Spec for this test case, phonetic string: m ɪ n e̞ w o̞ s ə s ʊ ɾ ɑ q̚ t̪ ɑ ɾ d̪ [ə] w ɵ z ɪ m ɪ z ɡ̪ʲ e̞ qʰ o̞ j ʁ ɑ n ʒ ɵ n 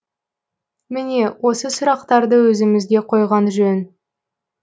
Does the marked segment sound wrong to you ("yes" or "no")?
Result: no